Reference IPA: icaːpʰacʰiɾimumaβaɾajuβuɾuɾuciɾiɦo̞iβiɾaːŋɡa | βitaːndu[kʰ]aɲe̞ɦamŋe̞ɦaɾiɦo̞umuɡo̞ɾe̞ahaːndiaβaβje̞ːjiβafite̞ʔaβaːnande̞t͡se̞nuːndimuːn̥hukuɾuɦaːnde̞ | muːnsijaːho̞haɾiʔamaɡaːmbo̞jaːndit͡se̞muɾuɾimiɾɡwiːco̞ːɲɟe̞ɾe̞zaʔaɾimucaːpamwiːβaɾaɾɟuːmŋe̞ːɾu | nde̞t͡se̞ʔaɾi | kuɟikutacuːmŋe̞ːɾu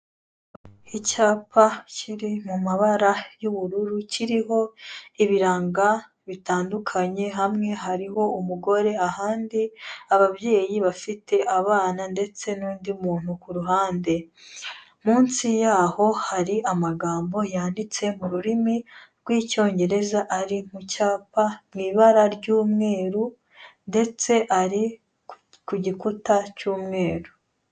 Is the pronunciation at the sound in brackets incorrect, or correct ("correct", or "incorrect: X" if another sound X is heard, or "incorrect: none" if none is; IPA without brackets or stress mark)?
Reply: correct